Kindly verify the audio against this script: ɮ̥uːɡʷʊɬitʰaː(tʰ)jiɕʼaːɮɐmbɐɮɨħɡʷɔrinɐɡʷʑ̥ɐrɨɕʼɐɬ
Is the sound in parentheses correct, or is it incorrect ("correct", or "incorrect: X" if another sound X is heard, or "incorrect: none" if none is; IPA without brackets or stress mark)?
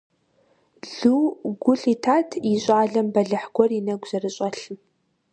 correct